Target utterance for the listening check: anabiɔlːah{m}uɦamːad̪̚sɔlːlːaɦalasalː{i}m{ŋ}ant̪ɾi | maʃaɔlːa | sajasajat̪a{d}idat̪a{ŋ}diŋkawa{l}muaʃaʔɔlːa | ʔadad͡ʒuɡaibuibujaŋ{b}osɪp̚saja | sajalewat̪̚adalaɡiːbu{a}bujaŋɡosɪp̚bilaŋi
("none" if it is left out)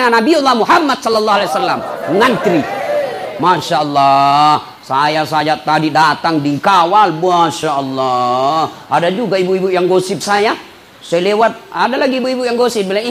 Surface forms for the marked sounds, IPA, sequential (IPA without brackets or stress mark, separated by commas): m, a, ŋ, d, ŋ, l, ɡ, i